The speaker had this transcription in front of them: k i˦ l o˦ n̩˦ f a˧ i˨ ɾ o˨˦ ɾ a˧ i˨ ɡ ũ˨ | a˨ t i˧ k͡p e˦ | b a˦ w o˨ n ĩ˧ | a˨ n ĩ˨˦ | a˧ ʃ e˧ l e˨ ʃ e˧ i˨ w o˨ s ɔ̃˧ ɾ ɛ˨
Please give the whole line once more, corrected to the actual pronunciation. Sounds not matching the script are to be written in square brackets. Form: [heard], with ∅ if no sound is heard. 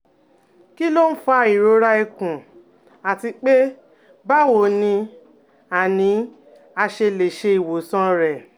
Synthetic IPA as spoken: k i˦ l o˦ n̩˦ f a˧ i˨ ɾ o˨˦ ɾ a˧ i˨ [k] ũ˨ | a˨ t i˧ k͡p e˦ | b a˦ w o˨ n ĩ˧ | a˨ n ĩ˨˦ | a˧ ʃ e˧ l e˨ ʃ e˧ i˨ w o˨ s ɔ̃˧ ɾ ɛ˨